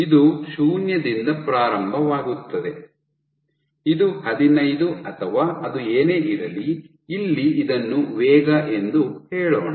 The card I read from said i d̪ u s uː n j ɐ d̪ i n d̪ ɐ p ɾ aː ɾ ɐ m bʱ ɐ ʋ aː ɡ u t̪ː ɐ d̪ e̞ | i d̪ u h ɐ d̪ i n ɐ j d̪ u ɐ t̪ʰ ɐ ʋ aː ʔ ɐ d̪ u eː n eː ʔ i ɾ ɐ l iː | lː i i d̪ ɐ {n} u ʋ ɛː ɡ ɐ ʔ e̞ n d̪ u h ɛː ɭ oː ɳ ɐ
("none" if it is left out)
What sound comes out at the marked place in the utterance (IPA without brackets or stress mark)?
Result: nː